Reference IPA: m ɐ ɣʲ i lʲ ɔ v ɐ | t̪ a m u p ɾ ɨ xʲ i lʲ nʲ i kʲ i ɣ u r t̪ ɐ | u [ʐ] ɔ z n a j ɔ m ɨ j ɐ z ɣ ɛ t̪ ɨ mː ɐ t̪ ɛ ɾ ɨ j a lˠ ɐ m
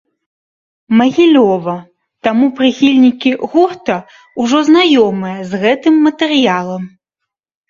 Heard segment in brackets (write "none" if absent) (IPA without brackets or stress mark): ʐ